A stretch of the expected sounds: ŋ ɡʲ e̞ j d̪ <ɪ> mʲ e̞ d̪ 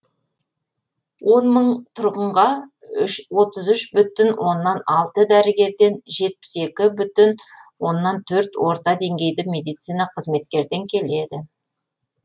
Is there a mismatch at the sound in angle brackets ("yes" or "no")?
no